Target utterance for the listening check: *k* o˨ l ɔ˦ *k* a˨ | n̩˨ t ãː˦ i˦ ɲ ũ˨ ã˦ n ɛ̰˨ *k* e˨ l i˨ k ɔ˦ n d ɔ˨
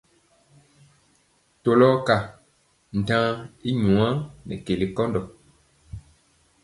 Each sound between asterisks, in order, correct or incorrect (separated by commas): incorrect, correct, correct